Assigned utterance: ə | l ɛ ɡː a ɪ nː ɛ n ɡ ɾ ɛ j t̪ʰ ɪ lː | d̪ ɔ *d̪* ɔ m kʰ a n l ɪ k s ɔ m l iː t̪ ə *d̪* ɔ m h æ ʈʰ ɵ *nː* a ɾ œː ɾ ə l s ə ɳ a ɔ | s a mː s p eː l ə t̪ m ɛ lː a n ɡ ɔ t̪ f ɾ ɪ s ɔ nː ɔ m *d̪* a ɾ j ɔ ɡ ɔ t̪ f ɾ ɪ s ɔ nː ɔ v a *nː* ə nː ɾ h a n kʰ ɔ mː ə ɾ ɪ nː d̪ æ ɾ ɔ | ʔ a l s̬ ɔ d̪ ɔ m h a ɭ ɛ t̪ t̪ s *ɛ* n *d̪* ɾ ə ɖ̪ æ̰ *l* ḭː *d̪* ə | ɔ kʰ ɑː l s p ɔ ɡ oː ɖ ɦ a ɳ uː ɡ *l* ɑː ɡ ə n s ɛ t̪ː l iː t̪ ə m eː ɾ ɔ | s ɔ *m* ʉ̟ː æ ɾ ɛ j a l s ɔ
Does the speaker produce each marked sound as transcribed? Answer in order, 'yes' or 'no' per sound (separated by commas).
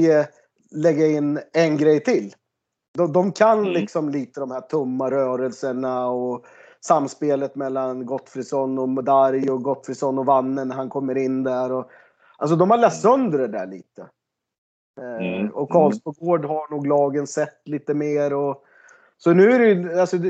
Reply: yes, yes, no, yes, yes, no, yes, no, no, yes, no